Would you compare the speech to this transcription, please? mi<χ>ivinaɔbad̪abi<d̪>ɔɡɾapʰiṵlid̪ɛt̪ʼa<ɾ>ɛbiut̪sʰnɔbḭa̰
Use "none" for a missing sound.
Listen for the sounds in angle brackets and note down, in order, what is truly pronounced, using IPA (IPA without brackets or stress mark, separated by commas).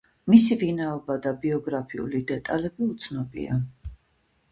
s, none, l